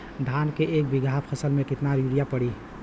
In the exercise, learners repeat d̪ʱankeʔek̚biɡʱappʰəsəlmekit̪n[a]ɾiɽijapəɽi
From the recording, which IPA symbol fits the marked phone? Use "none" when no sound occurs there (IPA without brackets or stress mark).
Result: a